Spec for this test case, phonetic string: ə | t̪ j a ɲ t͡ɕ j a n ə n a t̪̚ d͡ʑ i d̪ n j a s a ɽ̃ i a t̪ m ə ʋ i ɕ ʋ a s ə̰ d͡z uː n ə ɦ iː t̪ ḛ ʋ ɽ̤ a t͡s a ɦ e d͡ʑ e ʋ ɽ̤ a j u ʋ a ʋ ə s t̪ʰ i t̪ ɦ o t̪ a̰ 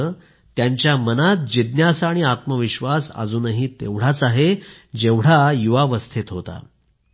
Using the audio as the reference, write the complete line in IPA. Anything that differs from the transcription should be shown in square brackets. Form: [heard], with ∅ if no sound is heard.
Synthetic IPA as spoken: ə | t̪ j a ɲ t͡ɕ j a [m] ə n a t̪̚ d͡ʑ i d̪ n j a s a ɽ̃ i a t̪ m ə ʋ i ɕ ʋ a s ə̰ d͡z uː n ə ɦ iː t̪ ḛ ʋ ɽ̤ a t͡s a ɦ e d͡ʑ e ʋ ɽ̤ a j u ʋ a ʋ ə s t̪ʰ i t̪ ɦ o t̪ a̰